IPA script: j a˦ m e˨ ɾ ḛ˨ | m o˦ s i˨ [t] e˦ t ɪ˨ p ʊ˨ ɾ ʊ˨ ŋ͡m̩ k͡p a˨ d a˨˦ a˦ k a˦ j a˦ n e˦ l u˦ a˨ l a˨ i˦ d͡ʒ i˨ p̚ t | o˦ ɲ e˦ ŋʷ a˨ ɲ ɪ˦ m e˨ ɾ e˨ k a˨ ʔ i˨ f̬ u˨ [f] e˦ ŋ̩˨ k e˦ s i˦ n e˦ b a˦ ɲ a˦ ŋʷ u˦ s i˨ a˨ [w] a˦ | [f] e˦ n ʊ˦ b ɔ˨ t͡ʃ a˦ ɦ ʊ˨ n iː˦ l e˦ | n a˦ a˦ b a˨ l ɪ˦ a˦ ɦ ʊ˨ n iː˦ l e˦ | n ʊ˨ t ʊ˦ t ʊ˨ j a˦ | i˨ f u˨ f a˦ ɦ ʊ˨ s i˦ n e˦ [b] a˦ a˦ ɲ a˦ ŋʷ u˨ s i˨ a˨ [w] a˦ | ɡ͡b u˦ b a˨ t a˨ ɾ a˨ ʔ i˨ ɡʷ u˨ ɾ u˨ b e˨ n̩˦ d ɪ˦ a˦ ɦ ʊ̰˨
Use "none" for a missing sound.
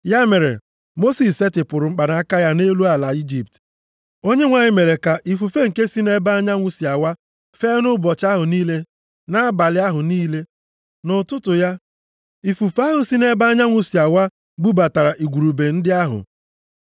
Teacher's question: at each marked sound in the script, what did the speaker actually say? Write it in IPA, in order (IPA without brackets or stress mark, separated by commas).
s, f, w, f, b, w